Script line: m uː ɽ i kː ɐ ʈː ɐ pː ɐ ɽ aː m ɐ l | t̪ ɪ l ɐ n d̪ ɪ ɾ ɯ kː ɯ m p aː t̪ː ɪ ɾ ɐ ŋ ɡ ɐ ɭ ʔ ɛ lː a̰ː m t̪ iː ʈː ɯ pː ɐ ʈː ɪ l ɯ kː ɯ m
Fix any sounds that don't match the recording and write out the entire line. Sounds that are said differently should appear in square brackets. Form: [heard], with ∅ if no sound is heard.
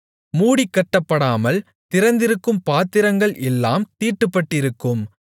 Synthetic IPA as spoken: m uː ɽ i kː ɐ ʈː ɐ pː ɐ ɽ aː m ɐ l | t̪ ɪ [ɾ] ɐ n d̪ ɪ ɾ ɯ kː ɯ m p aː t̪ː ɪ ɾ ɐ ŋ ɡ ɐ ɭ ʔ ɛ lː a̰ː m t̪ iː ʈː ɯ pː ɐ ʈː ɪ [ɾ] ɯ kː ɯ m